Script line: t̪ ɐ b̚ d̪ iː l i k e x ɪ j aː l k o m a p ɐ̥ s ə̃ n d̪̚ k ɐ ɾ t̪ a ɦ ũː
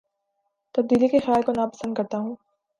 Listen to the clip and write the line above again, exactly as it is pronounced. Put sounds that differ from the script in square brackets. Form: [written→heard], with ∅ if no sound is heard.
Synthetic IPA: t̪ ɐ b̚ d̪ iː l i k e x ɪ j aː l k o [m→n] a p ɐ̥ s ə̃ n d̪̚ k ɐ ɾ t̪ a ɦ ũː